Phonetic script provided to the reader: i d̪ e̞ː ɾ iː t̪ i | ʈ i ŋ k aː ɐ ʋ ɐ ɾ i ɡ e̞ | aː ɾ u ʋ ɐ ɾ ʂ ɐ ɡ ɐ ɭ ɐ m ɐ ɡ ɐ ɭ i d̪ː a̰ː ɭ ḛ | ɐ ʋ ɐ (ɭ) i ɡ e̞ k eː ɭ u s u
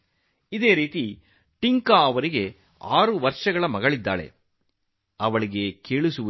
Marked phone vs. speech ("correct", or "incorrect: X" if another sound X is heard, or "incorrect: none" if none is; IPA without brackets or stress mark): correct